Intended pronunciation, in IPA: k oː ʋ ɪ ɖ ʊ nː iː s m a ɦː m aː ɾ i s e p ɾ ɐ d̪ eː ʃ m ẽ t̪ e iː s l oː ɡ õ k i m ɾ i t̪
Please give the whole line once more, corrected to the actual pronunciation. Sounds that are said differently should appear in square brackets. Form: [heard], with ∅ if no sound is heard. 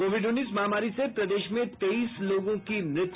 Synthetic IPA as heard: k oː ʋ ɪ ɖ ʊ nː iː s m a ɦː m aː ɾ i s e p ɾ ɐ d̪ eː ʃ m ẽ t̪ e iː s l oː ɡ õ k i m ɾ [ɪ] t̪